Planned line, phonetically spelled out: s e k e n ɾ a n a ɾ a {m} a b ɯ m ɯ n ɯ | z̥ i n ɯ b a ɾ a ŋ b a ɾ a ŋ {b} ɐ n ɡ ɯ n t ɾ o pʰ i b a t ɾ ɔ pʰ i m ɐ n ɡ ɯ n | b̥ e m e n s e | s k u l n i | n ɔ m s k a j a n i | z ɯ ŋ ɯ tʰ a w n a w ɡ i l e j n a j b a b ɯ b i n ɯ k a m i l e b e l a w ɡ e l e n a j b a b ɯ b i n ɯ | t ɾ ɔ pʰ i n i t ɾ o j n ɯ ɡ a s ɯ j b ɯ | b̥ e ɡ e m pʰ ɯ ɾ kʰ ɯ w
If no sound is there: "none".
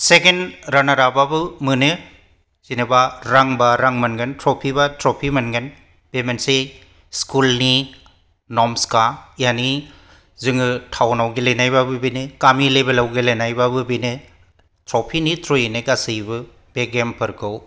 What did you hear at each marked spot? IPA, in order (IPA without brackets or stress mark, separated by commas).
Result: b, m